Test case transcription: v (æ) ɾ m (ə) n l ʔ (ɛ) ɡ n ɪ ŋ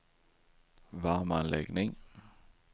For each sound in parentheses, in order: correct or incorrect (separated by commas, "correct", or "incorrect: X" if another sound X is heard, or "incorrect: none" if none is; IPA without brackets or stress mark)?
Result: incorrect: a, incorrect: a, correct